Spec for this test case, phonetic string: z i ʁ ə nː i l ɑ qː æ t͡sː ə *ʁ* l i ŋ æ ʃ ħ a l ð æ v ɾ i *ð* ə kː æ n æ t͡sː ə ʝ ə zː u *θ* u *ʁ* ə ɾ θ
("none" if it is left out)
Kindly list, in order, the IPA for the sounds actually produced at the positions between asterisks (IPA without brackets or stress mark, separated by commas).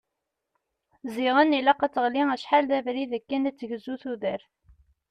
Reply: ʁ, ð, θ, ð